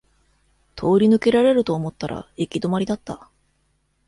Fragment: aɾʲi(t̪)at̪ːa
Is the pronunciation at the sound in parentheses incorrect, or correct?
incorrect